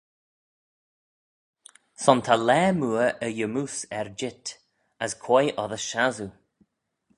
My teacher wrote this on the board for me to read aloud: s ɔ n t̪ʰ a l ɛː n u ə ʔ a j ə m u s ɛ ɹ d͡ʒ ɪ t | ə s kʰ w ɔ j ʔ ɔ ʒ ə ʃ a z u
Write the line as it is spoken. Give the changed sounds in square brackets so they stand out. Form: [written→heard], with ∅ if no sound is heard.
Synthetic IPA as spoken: s ɔ n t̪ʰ a l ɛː [n→m] u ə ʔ [a→ə] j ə m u s ɛ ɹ d͡ʒ ɪ t | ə s kʰ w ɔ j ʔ ɔ [ʒ→ð] ə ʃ a z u